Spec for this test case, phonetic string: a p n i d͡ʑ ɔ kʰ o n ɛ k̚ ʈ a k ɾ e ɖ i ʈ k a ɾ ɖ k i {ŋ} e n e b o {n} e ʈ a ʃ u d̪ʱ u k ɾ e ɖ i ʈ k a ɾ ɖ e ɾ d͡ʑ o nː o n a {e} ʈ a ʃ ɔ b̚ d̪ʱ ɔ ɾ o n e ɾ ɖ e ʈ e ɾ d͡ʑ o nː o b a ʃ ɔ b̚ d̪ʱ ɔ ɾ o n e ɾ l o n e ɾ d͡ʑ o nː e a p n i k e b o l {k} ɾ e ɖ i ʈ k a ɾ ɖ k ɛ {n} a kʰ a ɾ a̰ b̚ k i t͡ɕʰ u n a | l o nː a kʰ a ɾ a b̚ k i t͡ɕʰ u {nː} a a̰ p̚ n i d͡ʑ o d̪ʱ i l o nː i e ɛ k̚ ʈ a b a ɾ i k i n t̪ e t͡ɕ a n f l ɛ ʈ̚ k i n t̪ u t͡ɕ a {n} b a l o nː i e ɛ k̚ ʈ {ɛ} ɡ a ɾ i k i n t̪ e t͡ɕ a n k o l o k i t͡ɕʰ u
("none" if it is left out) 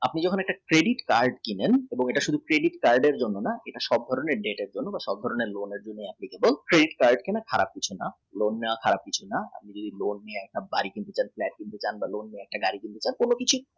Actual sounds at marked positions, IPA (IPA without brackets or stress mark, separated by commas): n, ŋ, e, k, n, n, n, a